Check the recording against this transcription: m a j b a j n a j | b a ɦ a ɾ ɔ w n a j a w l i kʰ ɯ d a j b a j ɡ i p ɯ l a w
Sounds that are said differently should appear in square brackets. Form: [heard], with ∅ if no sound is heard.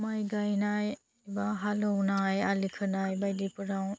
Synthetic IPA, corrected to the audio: m a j [ɡ] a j n a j | b a ɦ a [l] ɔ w n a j a [∅] l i kʰ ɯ [n] a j b a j [d] i p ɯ [ɾ] a w